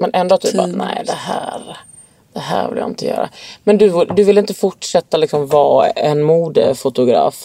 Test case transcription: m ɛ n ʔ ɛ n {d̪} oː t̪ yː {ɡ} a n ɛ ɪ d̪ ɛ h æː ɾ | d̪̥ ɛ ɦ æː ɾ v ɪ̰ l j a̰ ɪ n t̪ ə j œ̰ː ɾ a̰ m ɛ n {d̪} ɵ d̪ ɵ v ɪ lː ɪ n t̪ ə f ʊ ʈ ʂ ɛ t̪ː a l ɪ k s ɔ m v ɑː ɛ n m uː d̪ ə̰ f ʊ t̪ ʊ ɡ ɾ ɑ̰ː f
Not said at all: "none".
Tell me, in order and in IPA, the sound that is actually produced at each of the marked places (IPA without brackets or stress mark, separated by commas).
d̪, none, d̪